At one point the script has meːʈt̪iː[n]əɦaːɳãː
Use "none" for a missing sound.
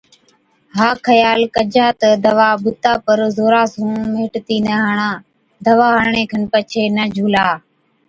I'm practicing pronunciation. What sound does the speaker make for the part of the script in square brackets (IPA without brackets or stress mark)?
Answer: n